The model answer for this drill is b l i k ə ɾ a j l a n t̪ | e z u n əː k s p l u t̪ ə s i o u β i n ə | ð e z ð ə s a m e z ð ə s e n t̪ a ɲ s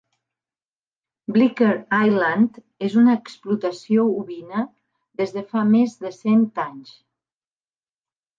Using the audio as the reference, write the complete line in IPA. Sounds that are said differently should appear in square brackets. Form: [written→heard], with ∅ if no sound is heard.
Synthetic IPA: b l i k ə ɾ a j l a n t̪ | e z u n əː k s p l u t̪ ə s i o u β i n ə | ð e z ð ə [s→f] a m e z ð ə s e n t̪ a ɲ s